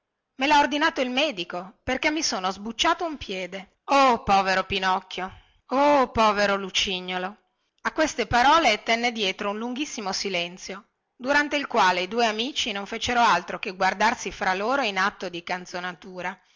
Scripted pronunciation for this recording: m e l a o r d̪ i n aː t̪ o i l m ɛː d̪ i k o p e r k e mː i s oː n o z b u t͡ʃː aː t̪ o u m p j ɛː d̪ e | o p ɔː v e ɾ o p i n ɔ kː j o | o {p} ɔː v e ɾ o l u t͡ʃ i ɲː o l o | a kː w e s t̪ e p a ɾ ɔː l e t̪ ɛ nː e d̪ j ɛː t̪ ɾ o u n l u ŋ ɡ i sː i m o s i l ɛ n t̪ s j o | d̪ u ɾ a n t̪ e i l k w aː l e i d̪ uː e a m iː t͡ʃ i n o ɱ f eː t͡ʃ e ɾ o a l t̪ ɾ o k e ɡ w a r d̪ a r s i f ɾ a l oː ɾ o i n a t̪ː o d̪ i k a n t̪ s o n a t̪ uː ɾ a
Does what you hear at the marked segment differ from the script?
no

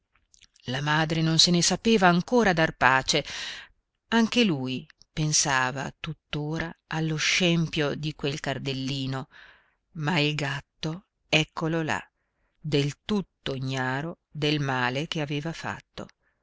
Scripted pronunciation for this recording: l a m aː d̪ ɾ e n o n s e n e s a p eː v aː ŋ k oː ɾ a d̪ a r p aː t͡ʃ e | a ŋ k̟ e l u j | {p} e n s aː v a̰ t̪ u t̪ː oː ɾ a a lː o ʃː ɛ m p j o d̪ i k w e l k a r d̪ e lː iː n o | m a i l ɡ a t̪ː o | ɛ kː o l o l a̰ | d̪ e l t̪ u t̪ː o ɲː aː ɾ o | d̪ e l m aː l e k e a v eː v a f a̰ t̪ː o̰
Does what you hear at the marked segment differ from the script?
no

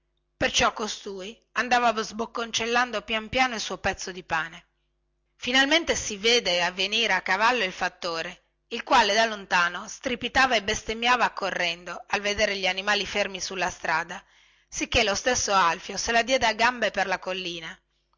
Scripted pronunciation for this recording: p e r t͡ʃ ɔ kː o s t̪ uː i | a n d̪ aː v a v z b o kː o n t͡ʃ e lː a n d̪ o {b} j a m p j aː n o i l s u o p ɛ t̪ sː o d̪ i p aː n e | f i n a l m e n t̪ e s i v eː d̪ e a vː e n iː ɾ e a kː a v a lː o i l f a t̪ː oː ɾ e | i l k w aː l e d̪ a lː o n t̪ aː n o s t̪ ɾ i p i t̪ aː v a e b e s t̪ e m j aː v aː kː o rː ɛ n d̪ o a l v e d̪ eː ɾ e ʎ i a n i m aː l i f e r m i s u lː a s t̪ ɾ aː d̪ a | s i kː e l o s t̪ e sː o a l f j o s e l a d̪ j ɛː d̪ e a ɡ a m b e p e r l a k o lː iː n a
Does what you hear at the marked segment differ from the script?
yes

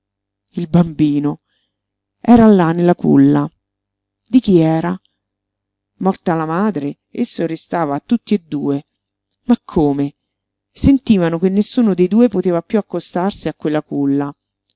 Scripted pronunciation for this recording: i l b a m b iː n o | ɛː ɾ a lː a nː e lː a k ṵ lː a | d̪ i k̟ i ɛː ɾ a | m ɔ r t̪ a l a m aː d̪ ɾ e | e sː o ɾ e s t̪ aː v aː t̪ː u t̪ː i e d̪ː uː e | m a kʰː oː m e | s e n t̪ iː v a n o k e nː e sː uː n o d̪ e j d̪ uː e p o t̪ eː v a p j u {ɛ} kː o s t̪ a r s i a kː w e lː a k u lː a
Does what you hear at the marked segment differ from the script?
yes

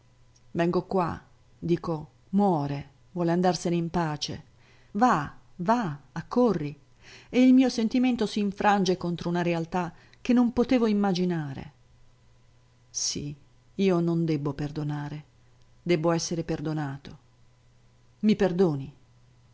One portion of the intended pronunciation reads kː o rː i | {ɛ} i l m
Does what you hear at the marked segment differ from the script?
yes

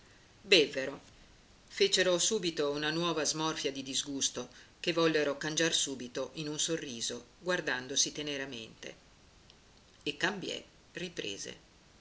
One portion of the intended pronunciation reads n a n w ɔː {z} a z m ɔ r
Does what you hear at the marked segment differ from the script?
yes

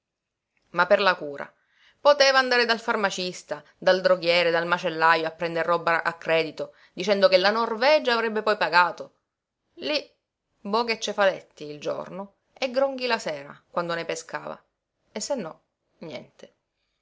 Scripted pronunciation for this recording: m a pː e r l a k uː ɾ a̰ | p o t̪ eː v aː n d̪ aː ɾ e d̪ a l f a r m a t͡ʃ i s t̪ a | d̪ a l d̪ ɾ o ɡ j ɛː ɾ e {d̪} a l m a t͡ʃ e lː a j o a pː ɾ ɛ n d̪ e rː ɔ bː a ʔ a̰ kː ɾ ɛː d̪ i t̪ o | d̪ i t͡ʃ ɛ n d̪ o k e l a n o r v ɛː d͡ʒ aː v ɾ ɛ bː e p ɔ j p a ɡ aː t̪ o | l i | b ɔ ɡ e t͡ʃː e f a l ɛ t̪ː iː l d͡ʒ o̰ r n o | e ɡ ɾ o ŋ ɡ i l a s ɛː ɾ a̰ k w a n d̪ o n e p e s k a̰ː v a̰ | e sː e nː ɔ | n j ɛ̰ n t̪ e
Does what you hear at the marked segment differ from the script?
no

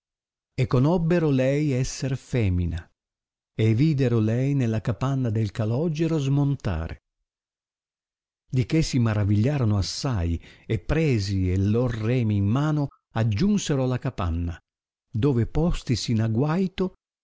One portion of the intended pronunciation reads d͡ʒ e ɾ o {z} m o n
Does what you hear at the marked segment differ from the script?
no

